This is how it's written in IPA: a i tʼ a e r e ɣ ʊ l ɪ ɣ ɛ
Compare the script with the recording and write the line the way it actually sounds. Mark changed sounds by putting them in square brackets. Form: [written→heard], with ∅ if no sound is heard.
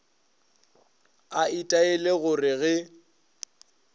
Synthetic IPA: a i tʼ a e [r→l] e ɣ ʊ [l→r] ɪ ɣ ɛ